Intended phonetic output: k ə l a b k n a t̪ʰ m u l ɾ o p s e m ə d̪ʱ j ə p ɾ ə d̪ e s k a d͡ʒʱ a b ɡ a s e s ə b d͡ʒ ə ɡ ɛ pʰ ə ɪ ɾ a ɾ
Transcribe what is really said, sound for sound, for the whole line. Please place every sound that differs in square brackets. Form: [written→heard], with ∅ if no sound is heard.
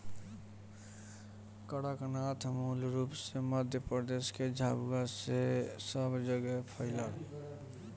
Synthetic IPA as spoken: k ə [l→ɽ] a [b→∅] k n a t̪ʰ m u l ɾ [o→u] p s e m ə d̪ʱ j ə p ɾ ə d̪ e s k [a→e] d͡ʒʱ a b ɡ a s e s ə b d͡ʒ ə ɡ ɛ pʰ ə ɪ [ɾ→l] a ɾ